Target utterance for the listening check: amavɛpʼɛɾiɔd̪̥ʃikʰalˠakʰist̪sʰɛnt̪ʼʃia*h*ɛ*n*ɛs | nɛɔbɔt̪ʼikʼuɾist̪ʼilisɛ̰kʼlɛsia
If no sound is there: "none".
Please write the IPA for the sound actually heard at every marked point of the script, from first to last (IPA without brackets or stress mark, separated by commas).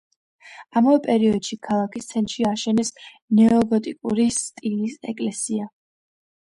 ʃ, n